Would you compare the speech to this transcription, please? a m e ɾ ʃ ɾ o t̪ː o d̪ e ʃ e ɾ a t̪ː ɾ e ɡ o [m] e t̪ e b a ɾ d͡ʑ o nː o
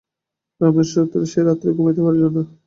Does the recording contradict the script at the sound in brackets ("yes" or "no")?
no